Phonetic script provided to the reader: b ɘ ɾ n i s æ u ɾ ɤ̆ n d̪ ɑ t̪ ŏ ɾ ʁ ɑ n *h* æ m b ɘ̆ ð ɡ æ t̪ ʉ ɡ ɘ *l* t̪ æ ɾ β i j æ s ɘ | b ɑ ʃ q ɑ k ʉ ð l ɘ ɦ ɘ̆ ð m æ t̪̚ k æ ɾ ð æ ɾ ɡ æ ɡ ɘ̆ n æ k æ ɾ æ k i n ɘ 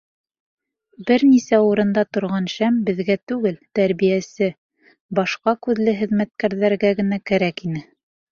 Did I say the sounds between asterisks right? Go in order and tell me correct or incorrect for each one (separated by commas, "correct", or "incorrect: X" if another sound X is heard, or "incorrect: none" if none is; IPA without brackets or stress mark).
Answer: incorrect: ʃ, correct